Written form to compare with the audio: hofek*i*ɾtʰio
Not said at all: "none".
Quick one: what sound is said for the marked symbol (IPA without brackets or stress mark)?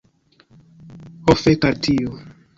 a